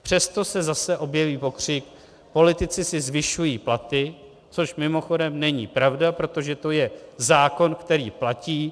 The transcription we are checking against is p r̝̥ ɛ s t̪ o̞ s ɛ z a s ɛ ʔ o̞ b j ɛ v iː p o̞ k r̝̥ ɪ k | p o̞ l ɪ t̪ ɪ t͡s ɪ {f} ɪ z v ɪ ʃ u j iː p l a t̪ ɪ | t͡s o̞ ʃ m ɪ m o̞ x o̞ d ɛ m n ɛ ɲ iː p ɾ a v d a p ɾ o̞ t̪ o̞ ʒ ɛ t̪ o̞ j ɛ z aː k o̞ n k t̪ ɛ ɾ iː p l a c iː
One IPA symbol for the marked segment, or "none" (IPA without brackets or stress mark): s